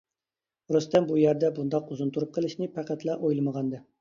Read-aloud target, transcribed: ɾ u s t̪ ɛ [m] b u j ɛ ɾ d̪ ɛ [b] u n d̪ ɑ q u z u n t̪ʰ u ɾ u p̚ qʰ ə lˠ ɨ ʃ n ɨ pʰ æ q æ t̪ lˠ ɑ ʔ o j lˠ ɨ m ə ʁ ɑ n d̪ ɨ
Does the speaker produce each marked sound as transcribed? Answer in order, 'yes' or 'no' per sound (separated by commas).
yes, yes